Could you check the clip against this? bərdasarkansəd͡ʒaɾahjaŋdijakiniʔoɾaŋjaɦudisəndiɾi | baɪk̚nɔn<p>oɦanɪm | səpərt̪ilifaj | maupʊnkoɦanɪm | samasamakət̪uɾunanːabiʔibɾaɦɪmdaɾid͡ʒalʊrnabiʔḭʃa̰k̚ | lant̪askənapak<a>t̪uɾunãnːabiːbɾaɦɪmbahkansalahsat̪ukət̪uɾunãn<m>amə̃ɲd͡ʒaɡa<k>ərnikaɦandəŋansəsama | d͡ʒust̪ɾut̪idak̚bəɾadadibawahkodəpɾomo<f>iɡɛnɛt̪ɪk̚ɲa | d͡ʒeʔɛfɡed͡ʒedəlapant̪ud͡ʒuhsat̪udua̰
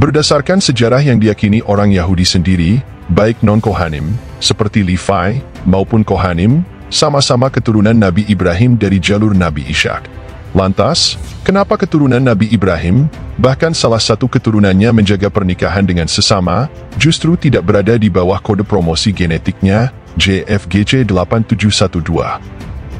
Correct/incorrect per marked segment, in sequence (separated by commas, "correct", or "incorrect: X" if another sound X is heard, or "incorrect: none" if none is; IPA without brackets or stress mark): incorrect: k, incorrect: ə, incorrect: ɲ, incorrect: p, incorrect: s